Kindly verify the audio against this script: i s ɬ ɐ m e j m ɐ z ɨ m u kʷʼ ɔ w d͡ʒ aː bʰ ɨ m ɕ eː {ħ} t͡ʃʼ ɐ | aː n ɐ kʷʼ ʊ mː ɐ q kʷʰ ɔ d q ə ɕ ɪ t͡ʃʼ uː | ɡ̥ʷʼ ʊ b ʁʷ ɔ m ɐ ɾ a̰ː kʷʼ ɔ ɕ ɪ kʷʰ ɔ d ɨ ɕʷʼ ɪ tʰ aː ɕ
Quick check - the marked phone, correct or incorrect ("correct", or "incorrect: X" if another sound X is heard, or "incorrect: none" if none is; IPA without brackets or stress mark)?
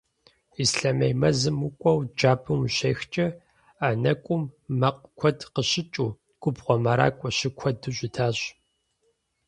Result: incorrect: x